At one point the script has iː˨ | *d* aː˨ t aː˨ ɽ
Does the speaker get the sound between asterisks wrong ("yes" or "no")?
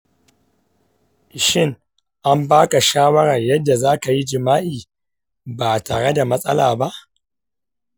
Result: yes